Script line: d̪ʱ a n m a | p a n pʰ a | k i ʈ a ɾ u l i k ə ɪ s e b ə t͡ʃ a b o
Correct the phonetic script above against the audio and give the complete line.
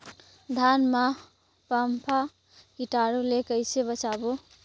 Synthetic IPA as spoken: d̪ʱ a n m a | p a m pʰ a | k i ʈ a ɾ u l e k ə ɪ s e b ə t͡ʃ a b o